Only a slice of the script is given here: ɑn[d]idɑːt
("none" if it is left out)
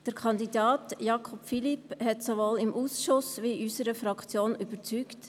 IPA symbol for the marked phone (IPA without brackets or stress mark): d